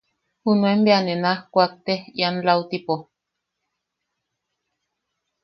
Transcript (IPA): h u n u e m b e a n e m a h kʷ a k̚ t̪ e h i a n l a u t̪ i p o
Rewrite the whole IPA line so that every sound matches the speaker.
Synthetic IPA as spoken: h u n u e m b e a n e n a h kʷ a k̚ t̪ e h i a n l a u t̪ i p o